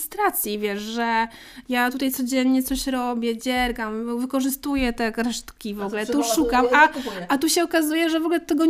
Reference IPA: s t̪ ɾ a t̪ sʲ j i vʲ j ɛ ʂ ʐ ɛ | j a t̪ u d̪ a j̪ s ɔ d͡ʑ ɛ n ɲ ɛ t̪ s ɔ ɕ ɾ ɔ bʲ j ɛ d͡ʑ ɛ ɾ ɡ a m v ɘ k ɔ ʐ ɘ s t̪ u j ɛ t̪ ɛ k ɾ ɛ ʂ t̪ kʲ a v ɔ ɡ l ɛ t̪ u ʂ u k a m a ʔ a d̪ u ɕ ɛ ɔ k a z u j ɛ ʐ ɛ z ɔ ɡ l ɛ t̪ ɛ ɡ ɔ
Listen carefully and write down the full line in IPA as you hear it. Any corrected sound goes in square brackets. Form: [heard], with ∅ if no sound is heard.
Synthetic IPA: s t̪ ɾ a t̪ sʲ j i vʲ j ɛ ʂ ʐ ɛ | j a t̪ u [t̪] a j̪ s ɔ d͡ʑ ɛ n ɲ ɛ t̪ s ɔ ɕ ɾ ɔ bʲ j ɛ d͡ʑ ɛ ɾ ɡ a m v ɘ k ɔ ʐ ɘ s t̪ u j ɛ t̪ ɛ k ɾ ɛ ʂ t̪ kʲ [i] v ɔ ɡ l ɛ t̪ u ʂ u k a m a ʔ a [t̪] u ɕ ɛ ɔ k a z u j ɛ ʐ ɛ [v] ɔ ɡ l ɛ t̪ ɛ ɡ ɔ